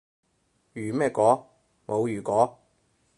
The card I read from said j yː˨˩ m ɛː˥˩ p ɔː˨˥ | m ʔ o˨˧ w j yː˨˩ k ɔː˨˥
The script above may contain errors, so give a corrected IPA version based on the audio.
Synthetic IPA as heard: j yː˨˩ m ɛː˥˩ k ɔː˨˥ | m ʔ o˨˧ w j yː˨˩ k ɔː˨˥

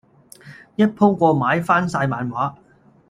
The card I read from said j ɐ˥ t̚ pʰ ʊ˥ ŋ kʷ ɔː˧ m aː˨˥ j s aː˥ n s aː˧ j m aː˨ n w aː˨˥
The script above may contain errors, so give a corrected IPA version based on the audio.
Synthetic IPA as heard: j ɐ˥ t̚ pʰ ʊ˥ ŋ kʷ ɔː˧ m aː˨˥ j f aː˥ n s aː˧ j m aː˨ n w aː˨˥

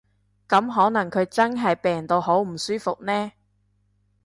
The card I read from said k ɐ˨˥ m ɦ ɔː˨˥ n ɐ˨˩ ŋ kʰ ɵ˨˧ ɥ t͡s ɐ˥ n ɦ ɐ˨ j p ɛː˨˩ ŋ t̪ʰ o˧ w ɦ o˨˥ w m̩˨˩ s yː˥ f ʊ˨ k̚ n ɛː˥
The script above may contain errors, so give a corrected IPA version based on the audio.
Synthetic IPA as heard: k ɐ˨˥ m ɦ ɔː˨˥ n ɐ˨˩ ŋ kʰ ɵ˨˧ ɥ t͡s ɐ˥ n ɦ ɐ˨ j p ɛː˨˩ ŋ t̪ o˧ w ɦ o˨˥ w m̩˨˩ s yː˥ f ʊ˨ k̚ n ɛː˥

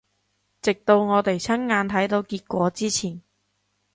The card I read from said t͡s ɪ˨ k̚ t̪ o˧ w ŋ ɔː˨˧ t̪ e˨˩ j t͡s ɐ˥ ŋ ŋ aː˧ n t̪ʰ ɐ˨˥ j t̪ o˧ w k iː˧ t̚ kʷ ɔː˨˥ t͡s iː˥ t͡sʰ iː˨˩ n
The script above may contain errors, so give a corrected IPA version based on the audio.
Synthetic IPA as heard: t͡s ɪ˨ k̚ t̪ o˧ w ŋ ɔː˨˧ t̪ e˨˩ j t͡sʰ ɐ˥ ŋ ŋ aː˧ n t̪ʰ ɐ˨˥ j t̪ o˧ w k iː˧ t̚ kʷ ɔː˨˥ t͡s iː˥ t͡sʰ iː˨˩ n

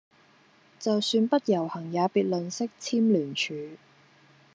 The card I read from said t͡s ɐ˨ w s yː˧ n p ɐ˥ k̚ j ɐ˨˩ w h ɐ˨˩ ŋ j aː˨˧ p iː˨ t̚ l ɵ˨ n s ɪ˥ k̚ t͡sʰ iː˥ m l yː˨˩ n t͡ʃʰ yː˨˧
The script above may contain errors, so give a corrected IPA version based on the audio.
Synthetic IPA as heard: t͡s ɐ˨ w s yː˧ n p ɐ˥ t̚ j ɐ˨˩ w h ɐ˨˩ ŋ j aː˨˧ p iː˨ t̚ l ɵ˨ n s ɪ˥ k̚ t͡sʰ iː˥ m l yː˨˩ n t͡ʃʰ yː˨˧

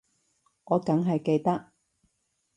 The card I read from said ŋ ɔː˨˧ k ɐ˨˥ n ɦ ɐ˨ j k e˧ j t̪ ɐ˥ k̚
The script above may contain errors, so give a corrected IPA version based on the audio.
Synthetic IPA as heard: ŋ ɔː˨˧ k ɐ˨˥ ŋ ɦ ɐ˨ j k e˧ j t̪ ɐ˥ k̚

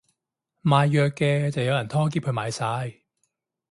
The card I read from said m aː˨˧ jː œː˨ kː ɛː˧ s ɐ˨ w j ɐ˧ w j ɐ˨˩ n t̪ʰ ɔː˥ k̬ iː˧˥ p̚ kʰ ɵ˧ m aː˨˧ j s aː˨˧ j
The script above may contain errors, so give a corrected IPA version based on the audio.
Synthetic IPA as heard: m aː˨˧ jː œː˨ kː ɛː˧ t͡s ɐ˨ w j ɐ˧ w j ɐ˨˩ n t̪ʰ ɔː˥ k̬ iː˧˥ p̚ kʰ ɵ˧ m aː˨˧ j s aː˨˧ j

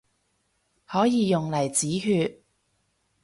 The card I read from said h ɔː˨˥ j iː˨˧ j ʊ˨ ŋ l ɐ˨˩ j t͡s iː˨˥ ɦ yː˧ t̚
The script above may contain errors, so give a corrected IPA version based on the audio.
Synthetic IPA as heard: h ɔː˨˥ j iː˨˧ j ʊ˨ ŋ l ɐ˨˩ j t͡s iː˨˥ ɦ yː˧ t̚

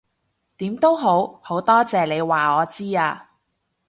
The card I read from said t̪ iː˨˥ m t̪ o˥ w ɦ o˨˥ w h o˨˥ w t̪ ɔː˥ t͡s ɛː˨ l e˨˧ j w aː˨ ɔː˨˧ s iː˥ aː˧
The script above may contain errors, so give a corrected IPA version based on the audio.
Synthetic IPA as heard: t̪ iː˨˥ m t̪ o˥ w ɦ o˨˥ w h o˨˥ w t̪ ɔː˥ t͡s ɛː˨ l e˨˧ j w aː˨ ɔː˨˧ t͡s iː˥ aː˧

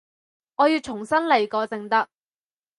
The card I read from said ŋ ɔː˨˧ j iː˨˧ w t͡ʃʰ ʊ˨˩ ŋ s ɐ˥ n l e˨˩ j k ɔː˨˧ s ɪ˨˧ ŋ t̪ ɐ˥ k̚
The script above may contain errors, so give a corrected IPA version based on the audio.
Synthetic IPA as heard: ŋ ɔː˨˧ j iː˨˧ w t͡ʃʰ ʊ˨˩ ŋ s ɐ˥ n l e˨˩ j k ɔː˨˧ t͡s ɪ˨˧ ŋ t̪ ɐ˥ k̚

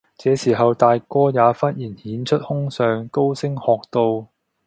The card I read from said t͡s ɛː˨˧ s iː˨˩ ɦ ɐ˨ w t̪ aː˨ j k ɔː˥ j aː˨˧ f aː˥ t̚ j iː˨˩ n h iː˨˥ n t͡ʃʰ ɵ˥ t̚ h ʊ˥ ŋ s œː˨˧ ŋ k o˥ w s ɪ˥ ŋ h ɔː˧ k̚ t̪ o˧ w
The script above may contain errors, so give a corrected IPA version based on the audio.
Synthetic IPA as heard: t͡s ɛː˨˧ s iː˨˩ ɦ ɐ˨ w t̪ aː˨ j k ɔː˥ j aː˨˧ f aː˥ t̚ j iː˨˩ n h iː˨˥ n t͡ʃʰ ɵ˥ t̚ h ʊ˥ ŋ s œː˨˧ ŋ k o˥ w s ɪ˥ ŋ h ɔː˧ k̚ t̪ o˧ w

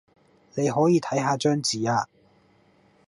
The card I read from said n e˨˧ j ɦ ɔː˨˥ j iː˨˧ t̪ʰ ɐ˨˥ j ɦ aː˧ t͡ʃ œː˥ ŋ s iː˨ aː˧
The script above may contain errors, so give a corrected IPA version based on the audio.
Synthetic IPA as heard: n e˨˧ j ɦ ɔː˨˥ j iː˨˧ t̪ʰ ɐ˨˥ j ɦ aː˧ t͡ʃ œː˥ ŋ t͡s iː˨ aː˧

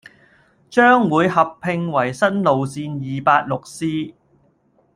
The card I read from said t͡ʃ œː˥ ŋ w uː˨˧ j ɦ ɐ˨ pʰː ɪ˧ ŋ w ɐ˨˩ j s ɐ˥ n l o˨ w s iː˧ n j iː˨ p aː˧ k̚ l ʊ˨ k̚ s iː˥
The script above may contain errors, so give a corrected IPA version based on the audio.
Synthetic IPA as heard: t͡ʃ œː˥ ŋ w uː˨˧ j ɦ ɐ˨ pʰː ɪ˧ ŋ w ɐ˨˩ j s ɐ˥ n l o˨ w s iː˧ n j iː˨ p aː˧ t̚ l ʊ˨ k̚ s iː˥

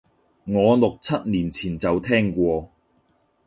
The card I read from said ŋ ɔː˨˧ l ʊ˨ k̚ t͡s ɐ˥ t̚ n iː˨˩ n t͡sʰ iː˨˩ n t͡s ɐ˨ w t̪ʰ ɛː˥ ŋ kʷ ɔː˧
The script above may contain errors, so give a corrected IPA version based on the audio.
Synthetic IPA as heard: ŋ ɔː˨˧ l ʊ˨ k̚ t͡sʰ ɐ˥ t̚ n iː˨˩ n t͡sʰ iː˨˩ n t͡s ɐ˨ w t̪ʰ ɛː˥ ŋ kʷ ɔː˧

